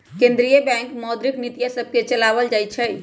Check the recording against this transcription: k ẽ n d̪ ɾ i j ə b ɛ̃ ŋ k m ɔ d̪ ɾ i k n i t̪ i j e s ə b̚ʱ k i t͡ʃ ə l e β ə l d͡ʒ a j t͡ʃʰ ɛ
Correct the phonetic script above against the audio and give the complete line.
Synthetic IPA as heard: k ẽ n d̪ ɾ i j ə b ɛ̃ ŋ k m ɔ d̪ ɾ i k n i t̪ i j a s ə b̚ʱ k e t͡ʃ ə l a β ə l d͡ʒ a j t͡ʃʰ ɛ